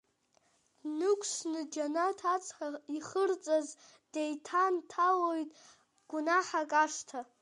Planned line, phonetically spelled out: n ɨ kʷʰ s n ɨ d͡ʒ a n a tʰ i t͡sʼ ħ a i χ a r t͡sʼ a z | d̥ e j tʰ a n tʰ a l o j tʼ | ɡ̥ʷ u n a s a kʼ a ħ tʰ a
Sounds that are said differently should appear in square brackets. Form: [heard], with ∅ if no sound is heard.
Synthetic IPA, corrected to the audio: n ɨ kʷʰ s n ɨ d͡ʒ a n a tʰ [a] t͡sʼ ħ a i χ [ə] r t͡sʼ a z | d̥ e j tʰ a n tʰ a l o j tʼ | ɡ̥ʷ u n a [ħ] a kʼ a [ʂ] tʰ a

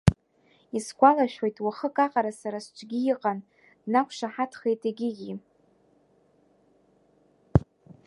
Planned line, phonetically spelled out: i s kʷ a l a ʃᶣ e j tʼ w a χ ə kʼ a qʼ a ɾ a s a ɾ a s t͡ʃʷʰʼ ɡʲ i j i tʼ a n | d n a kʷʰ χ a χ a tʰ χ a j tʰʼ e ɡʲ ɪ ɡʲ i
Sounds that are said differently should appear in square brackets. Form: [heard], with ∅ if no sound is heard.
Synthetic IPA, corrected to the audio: i s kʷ a l a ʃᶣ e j tʼ w a χ ə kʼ a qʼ a ɾ a s a ɾ a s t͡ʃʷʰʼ ɡʲ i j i [qʼ] a n | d n a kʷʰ [ʂ] a [ħ] a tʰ χ [e] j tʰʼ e ɡʲ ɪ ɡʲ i

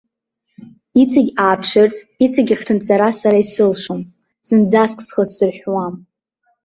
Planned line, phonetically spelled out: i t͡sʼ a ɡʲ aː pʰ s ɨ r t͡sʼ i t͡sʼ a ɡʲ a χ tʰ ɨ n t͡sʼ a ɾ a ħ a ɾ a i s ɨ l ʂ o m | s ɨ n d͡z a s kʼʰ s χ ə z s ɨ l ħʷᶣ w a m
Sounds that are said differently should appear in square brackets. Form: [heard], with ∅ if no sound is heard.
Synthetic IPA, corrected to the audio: i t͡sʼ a ɡʲ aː pʰ [ʂ] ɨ r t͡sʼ i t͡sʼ a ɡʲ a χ tʰ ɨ n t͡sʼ a ɾ a [s] a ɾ a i s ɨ l ʂ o m | s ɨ n d͡z a s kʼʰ s χ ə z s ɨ [r] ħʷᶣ w a m

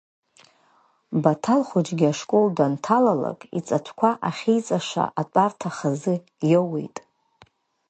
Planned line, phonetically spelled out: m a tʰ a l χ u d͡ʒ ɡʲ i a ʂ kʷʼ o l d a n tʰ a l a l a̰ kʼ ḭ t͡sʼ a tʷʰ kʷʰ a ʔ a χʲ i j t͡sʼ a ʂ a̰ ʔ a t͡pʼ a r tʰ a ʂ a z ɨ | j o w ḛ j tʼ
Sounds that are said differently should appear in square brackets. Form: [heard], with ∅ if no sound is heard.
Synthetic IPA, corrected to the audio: [b] a tʰ a l χ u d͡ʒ ɡʲ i a ʂ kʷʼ o l d a n tʰ a l a l a̰ kʼ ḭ t͡sʼ a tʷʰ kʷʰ a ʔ a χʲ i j t͡sʼ a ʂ a̰ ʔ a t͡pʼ a r tʰ a [χ] a z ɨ | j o w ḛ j tʼ

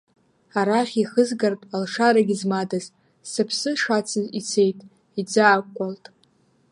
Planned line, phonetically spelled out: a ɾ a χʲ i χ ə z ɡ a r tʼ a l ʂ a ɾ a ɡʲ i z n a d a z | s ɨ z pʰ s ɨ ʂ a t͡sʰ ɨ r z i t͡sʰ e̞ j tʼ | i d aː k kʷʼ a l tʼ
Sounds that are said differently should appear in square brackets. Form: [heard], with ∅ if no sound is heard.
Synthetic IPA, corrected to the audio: a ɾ a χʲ i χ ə z ɡ a r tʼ a l ʂ a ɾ a ɡʲ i z [m] a d a z | s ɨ [∅] pʰ s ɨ ʂ a t͡sʰ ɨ [∅] z i t͡sʰ e̞ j tʼ | i [d͡z] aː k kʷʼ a l tʼ

